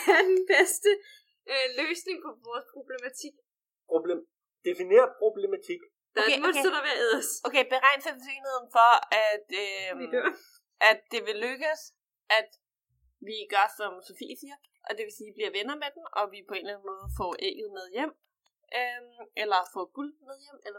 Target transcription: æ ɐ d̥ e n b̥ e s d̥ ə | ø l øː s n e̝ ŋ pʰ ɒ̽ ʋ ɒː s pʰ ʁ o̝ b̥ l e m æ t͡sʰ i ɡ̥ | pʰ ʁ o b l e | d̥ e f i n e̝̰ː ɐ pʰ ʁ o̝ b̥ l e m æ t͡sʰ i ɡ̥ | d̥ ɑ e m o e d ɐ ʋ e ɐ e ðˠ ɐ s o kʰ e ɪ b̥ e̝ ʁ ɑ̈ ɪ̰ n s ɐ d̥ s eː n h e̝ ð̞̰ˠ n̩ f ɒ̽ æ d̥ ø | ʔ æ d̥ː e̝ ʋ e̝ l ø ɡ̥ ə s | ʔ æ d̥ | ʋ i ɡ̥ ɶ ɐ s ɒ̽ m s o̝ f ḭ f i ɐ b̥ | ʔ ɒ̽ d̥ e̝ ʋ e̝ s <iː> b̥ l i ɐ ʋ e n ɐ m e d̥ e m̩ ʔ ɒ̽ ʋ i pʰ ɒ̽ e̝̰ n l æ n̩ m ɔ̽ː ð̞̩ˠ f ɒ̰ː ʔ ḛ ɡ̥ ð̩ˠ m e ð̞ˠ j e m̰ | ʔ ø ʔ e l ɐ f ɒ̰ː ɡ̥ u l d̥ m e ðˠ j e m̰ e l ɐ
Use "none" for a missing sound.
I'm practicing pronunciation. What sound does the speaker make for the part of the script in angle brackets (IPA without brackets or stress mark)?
iː